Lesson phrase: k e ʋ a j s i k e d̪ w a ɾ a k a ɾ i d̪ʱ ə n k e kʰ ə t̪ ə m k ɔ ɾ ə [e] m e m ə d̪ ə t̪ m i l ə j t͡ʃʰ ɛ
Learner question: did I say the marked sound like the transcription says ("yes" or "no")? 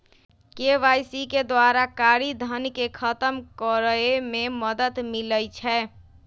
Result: yes